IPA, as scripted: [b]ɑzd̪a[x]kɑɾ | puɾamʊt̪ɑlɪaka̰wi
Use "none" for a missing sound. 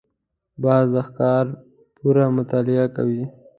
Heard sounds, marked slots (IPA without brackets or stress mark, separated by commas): b, x